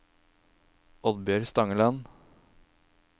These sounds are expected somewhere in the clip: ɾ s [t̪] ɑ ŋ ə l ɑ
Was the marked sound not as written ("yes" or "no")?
no